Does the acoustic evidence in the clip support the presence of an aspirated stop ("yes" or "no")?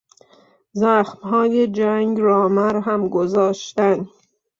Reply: no